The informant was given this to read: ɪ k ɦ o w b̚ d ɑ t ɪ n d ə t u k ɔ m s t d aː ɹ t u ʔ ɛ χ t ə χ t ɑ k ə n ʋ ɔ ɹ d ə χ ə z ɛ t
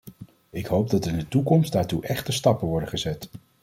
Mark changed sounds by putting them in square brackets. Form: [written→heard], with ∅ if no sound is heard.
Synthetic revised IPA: ɪ k ɦ o w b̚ d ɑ t ɪ n d ə t u k ɔ m s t d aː ɹ t u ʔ ɛ χ t ə [χ→s] t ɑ [k→p] ə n ʋ ɔ ɹ d ə χ ə z ɛ t